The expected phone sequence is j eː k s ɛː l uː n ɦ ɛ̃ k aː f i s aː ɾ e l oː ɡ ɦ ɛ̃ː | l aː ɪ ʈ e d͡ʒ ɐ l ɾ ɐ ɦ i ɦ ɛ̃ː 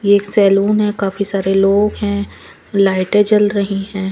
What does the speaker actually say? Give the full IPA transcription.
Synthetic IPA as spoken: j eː k s ɛː l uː n ɦ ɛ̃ k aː f i s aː ɾ e l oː ɡ ɦ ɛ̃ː | l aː ɪ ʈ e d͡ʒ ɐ l ɾ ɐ ɦ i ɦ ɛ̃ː